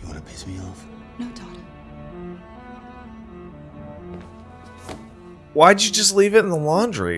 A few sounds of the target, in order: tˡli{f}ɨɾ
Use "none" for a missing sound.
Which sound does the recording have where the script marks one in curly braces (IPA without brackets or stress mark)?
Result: v